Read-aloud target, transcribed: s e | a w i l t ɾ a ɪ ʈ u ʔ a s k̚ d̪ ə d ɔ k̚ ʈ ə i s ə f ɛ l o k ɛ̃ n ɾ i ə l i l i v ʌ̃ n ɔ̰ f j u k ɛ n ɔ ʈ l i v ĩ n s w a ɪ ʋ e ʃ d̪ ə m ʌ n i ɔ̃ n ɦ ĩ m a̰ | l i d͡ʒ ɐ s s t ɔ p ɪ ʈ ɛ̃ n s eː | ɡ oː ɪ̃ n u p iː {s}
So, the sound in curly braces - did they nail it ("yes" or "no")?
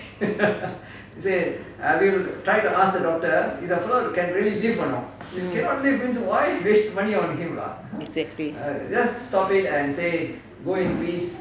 yes